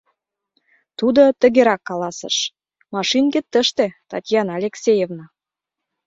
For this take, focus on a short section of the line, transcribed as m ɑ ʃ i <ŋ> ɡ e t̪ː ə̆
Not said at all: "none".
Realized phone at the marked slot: n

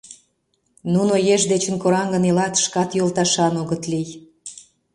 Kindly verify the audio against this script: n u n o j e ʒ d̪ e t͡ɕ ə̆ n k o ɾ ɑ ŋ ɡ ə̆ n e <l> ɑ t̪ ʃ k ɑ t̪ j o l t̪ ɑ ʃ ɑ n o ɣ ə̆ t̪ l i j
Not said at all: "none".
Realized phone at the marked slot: l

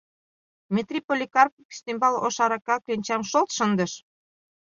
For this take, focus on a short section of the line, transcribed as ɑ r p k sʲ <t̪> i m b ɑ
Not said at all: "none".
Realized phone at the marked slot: t̪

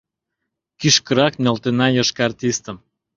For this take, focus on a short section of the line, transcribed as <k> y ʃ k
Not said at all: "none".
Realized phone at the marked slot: k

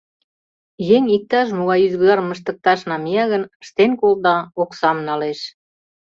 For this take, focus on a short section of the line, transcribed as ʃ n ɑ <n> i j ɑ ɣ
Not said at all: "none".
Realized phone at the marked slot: m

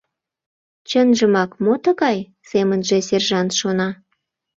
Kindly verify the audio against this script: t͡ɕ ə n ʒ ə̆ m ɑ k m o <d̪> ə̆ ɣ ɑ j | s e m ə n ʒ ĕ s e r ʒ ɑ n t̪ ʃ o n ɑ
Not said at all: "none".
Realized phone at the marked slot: t̪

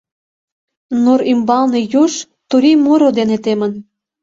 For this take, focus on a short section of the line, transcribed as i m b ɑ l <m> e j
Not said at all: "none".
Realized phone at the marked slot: n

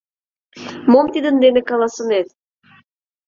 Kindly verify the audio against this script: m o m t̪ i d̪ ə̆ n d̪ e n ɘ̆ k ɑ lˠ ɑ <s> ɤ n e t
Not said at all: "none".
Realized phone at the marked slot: s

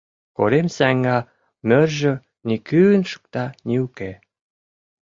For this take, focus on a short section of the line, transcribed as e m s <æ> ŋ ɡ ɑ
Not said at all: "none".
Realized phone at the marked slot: æ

